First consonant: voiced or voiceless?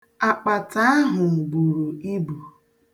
voiceless